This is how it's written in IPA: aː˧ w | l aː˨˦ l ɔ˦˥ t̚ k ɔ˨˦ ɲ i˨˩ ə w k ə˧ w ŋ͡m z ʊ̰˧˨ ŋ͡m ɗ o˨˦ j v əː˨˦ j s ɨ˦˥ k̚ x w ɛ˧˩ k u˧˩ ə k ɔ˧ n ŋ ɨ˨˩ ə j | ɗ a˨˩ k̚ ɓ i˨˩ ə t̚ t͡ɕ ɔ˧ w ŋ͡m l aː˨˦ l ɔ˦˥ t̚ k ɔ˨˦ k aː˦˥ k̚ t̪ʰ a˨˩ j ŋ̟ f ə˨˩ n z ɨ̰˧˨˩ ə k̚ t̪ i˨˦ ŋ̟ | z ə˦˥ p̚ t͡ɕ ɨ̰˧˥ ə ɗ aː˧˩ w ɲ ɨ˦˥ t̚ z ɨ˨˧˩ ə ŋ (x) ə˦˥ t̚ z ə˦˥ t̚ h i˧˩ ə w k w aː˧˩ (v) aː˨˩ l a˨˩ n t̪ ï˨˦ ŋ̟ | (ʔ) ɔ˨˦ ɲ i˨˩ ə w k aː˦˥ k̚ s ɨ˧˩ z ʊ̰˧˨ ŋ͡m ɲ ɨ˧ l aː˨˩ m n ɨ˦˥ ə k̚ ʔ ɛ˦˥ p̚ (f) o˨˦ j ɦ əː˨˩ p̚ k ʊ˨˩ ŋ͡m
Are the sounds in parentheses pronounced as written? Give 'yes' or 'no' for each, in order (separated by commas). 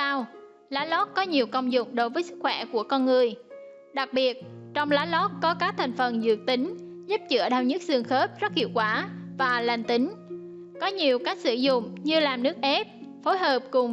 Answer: yes, yes, no, yes